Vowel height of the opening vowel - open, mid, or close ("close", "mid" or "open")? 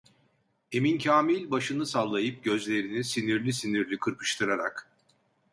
mid